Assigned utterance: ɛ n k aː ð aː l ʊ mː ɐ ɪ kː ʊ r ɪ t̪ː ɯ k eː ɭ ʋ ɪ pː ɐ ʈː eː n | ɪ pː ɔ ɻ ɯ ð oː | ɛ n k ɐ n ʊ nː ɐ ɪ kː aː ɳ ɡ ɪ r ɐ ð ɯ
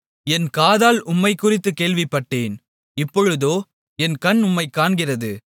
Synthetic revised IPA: ɛ n k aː ð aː l ʊ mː ɐ ɪ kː ʊ r ɪ t̪ː ɯ k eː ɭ ʋ ɪ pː ɐ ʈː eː n | ɪ pː ɔ ɻ ɯ ð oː | ɛ n k ɐ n ʊ mː ɐ ɪ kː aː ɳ ɡ ɪ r ɐ ð ɯ